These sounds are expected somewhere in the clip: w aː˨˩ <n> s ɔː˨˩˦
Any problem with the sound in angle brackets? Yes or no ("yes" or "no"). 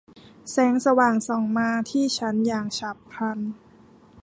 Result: yes